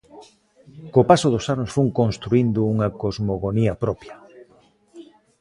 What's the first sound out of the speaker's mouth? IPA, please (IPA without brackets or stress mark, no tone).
k